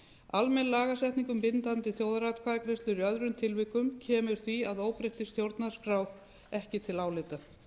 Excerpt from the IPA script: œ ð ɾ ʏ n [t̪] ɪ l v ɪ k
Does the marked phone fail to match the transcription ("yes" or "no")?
yes